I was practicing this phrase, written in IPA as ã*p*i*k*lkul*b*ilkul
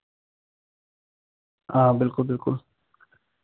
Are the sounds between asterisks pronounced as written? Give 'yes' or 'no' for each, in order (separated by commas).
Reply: no, no, yes